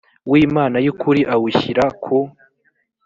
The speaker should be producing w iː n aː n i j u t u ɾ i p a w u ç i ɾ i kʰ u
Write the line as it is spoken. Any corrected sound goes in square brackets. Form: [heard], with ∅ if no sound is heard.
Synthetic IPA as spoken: w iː [m] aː n [a] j u [k] u ɾ i [ʔ] a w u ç i ɾ [a] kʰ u